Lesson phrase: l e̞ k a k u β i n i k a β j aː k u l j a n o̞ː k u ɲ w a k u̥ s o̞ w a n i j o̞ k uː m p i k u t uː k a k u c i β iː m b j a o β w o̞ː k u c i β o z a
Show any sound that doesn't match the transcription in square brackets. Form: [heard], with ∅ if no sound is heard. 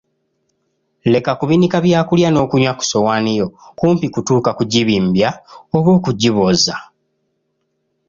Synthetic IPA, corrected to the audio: l e̞ k a k u β i n i k a β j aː k u l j a n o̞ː k u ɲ w a k u̥ s o̞ w a n i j o̞ k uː m p i k u t uː k a k u [ɟ] i β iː m b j a o β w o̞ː k u [ɟ] i β o z a